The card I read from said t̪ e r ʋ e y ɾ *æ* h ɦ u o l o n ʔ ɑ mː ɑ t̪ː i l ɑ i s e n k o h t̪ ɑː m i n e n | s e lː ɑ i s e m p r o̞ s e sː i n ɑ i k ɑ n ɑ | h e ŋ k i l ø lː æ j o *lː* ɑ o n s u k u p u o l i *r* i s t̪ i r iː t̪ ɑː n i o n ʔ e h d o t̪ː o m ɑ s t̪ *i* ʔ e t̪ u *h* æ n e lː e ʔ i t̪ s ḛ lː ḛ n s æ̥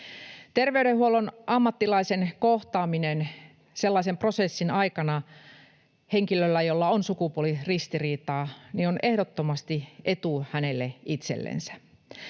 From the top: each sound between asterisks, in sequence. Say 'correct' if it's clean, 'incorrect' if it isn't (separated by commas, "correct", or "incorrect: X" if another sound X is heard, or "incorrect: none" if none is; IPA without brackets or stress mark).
incorrect: e, correct, correct, correct, correct